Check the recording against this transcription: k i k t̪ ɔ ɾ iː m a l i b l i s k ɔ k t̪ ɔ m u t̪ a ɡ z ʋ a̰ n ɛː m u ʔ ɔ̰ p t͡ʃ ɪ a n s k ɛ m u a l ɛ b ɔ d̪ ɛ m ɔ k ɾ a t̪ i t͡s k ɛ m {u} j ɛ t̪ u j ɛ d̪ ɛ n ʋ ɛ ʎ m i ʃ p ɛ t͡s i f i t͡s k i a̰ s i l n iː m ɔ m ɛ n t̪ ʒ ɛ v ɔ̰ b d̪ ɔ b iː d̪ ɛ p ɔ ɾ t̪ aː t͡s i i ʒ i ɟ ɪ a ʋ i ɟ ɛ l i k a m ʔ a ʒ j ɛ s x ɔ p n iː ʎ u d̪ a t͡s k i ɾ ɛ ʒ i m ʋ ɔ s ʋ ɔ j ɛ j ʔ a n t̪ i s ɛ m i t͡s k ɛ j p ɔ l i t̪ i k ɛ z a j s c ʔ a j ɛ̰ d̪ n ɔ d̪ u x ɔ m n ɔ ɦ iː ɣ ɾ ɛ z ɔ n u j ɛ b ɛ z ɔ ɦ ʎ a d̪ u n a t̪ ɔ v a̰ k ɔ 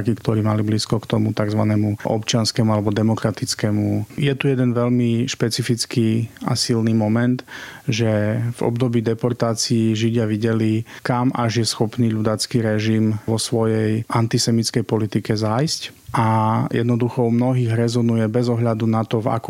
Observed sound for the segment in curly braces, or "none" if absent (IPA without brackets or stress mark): u